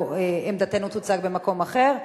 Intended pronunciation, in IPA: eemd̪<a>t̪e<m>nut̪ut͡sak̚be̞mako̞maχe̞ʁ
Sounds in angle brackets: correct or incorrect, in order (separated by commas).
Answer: correct, incorrect